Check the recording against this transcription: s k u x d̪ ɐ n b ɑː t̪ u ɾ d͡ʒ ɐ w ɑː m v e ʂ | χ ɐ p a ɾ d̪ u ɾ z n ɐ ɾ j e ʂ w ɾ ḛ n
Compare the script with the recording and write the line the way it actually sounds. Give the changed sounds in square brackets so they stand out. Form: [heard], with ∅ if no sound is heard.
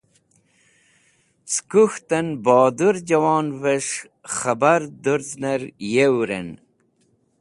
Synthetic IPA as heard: s k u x [t̪] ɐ n b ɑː [d̪] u ɾ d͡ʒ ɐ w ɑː [n] v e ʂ | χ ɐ [b] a ɾ d̪ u ɾ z n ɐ ɾ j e [∅] w ɾ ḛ n